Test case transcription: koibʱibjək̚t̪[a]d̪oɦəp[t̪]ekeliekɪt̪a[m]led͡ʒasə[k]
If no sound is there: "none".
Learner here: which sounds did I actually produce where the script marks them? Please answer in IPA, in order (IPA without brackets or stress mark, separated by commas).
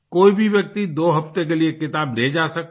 i, t̪, b, k